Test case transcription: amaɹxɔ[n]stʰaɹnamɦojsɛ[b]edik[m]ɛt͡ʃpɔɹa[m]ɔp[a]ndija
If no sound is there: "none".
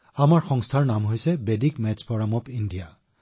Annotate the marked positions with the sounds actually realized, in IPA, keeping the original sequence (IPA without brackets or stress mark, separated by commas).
ŋ, b, m, m, i